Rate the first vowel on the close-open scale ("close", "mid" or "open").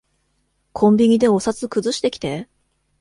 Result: mid